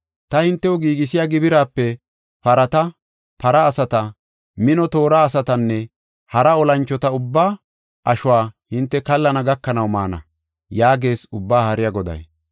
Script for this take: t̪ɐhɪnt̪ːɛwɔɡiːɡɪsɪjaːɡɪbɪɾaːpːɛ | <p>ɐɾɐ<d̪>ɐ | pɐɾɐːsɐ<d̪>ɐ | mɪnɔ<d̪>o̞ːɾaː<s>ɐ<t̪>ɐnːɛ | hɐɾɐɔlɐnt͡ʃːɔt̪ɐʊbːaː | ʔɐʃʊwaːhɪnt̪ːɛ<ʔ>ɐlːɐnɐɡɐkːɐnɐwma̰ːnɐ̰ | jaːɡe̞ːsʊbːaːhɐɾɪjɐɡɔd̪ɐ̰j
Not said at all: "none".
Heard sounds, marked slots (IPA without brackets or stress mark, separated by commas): p, t̪, t̪, t̪, s, t̪, k